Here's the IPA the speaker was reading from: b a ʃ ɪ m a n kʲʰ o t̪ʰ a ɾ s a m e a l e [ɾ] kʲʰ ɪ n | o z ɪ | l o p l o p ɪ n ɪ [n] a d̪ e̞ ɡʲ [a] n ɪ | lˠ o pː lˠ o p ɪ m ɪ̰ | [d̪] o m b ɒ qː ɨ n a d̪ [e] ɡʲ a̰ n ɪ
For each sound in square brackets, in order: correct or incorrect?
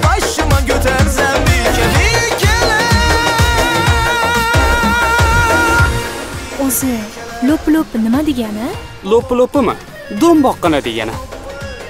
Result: incorrect: none, incorrect: m, correct, correct, correct

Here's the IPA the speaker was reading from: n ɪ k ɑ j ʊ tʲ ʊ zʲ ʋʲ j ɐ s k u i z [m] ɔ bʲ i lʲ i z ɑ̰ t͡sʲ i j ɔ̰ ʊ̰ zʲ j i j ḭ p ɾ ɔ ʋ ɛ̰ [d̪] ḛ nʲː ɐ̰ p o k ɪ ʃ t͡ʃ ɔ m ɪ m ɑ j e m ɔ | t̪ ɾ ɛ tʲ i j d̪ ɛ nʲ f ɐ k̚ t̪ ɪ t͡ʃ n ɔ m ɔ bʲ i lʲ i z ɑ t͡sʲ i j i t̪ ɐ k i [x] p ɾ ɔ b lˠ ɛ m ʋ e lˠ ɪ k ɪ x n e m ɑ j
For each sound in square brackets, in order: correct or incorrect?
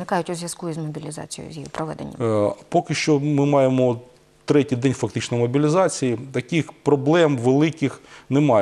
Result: correct, correct, correct

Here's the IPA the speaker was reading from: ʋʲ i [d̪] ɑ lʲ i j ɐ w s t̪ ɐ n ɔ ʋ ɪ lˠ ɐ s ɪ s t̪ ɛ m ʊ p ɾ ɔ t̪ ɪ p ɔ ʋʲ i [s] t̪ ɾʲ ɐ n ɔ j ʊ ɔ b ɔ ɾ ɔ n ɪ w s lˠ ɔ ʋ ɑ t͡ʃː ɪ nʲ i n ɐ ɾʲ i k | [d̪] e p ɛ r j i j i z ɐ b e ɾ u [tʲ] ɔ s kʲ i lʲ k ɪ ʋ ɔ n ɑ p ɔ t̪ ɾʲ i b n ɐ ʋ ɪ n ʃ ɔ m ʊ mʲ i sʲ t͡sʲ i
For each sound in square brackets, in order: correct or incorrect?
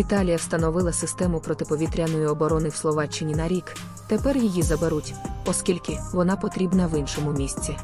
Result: incorrect: t̪, incorrect: none, incorrect: t̪, correct

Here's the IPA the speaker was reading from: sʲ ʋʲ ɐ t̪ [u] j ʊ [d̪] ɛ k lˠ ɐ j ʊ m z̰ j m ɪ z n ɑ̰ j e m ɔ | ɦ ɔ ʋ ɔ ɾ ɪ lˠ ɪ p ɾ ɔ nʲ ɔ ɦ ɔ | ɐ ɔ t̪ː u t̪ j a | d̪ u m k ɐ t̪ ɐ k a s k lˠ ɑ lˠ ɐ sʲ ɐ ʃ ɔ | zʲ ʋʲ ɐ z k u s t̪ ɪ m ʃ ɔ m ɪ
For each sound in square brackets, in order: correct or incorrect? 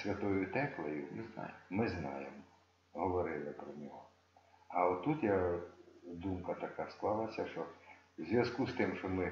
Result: incorrect: ɔ, incorrect: t̪

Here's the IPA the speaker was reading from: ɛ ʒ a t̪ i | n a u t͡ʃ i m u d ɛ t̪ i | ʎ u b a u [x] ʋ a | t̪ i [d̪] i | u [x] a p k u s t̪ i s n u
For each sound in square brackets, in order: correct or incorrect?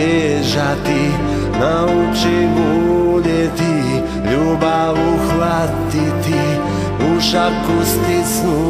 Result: correct, incorrect: t̪, incorrect: ʃ

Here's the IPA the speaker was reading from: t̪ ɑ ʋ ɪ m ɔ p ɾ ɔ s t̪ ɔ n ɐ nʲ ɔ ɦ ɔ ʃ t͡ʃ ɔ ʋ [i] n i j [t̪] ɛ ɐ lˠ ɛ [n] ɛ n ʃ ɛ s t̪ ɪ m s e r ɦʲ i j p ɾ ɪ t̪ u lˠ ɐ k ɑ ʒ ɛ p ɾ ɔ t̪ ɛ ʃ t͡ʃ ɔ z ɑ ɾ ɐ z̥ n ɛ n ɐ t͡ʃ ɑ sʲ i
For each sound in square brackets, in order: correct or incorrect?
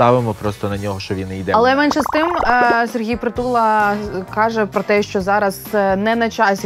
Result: correct, incorrect: d̪, incorrect: m

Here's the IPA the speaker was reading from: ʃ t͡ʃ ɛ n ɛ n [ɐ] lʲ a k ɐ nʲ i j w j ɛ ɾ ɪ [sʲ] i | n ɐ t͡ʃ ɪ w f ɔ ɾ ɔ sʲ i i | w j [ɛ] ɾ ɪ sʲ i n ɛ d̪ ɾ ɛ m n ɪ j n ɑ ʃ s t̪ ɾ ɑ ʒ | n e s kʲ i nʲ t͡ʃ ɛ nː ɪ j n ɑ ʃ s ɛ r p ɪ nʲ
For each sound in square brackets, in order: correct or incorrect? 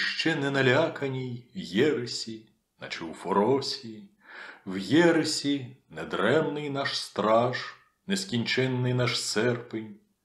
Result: correct, correct, correct

